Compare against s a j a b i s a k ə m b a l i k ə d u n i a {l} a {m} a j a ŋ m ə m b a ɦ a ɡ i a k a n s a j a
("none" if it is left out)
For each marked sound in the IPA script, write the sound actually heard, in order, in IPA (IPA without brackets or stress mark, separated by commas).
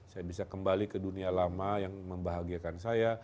l, m